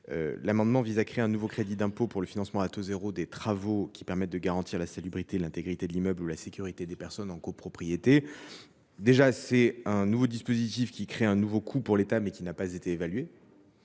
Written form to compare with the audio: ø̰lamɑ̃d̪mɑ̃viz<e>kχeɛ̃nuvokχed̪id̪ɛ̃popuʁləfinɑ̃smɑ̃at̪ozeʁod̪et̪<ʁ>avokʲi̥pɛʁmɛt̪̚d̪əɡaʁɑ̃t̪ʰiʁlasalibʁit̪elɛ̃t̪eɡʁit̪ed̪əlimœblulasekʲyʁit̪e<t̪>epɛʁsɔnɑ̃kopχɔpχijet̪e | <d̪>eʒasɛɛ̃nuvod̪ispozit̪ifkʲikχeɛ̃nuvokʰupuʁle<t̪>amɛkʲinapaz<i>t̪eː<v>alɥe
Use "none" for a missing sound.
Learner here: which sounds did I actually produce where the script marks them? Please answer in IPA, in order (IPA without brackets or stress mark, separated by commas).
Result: a, χ, d̪, d̪, t̪, e, v